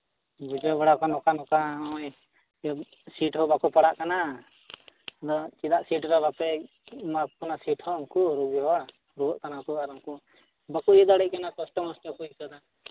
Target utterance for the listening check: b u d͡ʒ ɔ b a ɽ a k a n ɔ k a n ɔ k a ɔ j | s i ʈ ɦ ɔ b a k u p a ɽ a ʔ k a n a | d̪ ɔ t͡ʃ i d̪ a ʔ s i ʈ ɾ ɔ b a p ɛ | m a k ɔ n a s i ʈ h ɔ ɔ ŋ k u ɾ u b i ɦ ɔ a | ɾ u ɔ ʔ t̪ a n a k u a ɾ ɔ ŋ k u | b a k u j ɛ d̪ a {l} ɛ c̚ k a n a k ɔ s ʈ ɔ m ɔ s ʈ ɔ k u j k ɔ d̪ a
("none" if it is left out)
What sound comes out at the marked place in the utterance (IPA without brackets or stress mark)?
ɽ